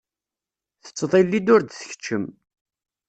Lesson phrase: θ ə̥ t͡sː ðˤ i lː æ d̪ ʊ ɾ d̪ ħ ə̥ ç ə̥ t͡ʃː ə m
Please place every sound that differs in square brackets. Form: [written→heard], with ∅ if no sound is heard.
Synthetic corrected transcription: θ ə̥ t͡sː ðˤ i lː [æ→i] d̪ ʊ ɾ d̪ [ħ→θ] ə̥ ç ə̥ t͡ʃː ə m